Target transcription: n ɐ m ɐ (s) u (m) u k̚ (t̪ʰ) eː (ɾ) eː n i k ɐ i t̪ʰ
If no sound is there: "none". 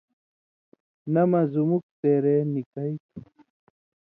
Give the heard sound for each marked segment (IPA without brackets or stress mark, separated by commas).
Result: z, m, t̪, ɾ